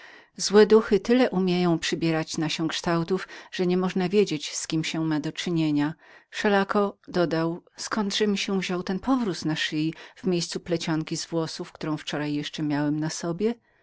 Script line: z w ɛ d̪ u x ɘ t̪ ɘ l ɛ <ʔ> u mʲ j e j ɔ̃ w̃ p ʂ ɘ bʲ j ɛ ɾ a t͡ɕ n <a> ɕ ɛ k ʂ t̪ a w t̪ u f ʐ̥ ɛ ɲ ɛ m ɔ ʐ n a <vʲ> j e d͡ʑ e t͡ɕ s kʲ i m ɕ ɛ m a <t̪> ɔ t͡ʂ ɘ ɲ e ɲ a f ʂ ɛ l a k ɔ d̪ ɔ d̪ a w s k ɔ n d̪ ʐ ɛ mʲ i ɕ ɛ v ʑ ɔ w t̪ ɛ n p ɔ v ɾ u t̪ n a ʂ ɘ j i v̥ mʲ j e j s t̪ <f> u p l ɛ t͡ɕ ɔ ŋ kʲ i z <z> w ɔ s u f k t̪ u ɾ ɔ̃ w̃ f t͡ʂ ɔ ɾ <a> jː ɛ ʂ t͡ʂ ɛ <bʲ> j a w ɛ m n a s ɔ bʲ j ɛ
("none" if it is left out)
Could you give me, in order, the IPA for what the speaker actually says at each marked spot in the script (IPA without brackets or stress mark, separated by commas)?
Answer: ʔ, a, vʲ, d̪, s, v, a, mʲ